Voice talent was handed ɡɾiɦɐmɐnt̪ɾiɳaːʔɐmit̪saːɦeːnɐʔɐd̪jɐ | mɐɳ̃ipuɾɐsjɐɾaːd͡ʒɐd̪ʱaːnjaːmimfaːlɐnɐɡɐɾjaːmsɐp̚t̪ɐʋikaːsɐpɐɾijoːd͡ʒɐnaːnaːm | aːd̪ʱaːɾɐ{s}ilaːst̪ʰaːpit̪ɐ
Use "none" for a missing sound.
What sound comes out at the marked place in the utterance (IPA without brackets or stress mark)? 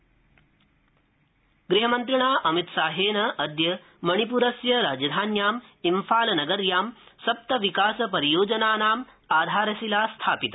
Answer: s